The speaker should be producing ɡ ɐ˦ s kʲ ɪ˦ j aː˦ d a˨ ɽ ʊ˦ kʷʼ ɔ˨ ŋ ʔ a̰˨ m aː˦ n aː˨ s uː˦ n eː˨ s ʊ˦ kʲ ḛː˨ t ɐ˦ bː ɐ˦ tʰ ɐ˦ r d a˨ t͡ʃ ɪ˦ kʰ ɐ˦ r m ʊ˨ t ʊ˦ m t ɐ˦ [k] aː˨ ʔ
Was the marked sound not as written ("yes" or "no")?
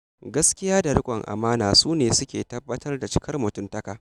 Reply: no